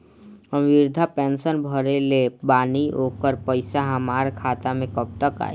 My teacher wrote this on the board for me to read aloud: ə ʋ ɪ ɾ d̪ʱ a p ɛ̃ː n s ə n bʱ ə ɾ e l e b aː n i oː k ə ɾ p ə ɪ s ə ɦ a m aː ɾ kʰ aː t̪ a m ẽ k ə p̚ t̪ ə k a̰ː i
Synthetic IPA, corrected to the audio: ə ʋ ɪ ɾ d̪ʱ a p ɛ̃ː n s ə n bʱ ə ɾ e l e b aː n i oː k ə ɾ p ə ɪ s a ɦ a m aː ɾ kʰ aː t̪ a m ẽ k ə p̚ t̪ ə k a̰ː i